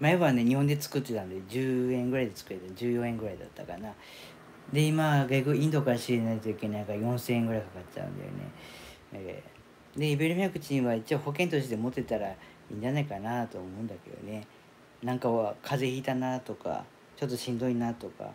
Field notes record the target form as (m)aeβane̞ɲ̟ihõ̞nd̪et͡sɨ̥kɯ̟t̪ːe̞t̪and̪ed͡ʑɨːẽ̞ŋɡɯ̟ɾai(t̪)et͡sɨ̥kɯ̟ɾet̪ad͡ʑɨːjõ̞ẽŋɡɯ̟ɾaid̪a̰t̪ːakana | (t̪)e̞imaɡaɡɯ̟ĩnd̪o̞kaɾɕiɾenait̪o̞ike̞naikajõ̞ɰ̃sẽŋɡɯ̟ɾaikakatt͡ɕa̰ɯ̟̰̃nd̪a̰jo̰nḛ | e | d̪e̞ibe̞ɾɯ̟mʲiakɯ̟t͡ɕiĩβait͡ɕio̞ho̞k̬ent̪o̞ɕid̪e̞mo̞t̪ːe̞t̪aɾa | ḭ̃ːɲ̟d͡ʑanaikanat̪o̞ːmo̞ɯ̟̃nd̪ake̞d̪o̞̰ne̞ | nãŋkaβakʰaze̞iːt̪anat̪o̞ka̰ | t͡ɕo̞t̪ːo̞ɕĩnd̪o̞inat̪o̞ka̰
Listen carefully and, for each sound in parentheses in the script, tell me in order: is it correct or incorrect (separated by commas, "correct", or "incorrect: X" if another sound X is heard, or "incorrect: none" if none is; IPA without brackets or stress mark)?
correct, incorrect: d̪, incorrect: d̪